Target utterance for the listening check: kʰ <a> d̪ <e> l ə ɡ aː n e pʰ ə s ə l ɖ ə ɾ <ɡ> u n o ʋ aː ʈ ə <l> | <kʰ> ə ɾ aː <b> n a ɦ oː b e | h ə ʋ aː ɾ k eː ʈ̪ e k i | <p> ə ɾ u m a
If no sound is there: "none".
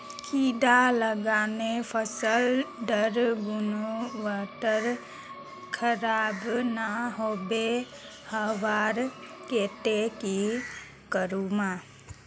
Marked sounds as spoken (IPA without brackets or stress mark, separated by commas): i, a, ɡ, ɾ, kʰ, b, k